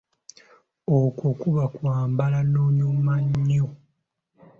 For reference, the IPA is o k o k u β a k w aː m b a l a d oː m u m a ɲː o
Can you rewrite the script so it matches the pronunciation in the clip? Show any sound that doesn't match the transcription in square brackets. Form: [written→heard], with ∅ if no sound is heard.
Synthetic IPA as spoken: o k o k u β a k w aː m b a l a [d→n] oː [m→ɲ] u m a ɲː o